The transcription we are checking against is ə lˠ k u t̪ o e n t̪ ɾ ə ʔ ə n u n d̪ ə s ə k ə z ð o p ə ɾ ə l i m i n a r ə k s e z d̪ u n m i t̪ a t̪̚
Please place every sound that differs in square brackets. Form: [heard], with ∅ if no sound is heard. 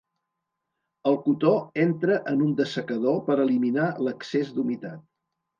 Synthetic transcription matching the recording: ə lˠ k u t̪ o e n t̪ ɾ ə ʔ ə n u n d̪ ə s ə k ə [∅] ð o p ə ɾ ə l i m i n a [l] ə k s e z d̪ u [∅] m i t̪ a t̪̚